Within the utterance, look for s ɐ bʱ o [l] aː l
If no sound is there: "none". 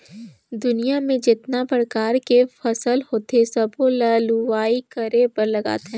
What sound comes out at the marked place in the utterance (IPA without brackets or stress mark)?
l